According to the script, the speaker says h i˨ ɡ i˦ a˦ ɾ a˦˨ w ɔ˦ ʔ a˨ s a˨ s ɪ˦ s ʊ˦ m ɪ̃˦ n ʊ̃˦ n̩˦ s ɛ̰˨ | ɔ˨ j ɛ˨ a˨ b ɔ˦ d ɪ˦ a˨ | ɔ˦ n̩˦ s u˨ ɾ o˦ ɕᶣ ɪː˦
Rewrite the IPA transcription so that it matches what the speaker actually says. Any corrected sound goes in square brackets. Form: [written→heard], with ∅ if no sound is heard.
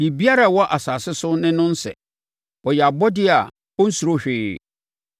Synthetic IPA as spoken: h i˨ [ɡ→b] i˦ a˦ ɾ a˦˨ w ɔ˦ ʔ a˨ s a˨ s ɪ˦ s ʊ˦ [m→n] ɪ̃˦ n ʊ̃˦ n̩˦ s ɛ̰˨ | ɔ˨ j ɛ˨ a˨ b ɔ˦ d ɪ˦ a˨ | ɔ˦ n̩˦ s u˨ ɾ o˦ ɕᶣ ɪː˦

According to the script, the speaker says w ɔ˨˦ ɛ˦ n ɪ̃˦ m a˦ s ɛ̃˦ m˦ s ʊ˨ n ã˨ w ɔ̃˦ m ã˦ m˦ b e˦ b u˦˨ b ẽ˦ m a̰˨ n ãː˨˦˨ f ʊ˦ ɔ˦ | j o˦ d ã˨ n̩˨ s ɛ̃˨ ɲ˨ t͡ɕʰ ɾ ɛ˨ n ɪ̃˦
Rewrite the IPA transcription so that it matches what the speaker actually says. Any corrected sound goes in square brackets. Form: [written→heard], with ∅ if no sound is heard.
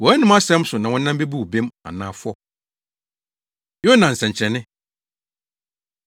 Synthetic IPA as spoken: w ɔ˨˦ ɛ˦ n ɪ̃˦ m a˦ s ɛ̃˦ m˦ s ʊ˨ n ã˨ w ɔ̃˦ [m→n] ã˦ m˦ b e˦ b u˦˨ b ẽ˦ m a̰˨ n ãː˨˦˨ f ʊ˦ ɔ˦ | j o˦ [d→n] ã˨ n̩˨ s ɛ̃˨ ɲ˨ t͡ɕʰ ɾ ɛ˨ n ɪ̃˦

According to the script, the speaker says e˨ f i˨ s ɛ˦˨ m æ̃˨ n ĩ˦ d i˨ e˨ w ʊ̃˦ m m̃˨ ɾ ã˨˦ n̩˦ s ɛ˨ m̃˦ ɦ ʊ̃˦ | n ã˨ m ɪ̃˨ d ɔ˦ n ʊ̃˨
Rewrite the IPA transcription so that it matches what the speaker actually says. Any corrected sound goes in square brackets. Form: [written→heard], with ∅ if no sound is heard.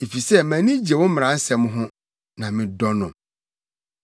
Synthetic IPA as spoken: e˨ f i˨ s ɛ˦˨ m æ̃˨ n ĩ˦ [d→d͡ʑ] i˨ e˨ w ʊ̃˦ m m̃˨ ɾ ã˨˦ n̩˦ s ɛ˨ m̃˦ ɦ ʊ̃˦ | n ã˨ m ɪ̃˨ d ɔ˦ n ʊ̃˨

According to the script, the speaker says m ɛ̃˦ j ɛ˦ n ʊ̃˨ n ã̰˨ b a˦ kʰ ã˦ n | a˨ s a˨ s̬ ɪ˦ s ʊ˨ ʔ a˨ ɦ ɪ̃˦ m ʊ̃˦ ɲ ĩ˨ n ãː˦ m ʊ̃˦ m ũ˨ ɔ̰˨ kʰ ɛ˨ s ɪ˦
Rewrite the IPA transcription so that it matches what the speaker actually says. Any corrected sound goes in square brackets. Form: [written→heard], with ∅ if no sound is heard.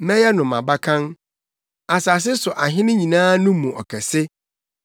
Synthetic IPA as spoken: m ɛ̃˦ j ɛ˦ n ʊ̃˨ [n→m] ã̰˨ b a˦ kʰ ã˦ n | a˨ s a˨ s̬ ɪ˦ s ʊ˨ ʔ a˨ ɦ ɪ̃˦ [m→n] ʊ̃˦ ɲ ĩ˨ n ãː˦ [m→n] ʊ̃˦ m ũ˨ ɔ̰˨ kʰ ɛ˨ s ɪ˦

